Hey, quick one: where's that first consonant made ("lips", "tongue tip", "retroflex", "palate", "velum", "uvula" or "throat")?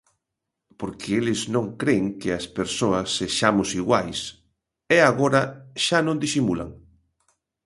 lips